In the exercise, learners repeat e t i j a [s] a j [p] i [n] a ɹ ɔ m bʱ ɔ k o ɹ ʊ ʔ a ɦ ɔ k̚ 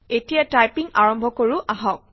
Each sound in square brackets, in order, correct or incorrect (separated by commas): incorrect, correct, incorrect